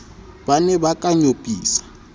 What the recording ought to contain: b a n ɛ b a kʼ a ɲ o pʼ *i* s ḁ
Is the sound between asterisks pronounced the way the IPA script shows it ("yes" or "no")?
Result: no